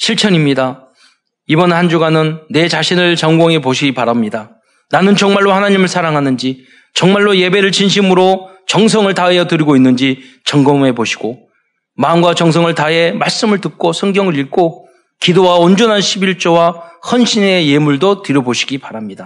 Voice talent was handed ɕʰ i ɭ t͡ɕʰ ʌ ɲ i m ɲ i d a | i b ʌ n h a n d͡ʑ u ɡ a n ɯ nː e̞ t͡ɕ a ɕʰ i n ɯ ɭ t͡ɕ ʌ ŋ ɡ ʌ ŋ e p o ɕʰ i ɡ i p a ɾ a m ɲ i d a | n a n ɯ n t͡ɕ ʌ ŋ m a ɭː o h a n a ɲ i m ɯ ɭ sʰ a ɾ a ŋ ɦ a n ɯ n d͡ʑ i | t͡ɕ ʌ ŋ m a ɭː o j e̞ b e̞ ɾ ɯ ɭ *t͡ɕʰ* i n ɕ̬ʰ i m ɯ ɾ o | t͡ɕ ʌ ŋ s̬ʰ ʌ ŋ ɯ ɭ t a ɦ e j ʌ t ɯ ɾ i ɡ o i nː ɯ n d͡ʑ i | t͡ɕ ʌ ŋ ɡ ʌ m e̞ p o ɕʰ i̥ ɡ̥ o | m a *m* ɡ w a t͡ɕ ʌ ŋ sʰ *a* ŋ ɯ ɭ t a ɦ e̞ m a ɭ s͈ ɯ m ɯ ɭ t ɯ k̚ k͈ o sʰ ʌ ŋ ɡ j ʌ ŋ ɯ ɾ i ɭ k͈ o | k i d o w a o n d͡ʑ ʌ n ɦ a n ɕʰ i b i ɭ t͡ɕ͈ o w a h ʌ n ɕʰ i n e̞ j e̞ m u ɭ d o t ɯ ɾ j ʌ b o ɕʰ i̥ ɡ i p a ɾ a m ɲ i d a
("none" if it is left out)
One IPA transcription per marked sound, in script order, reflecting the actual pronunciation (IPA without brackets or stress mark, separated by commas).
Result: t͡ɕ, m, ʌ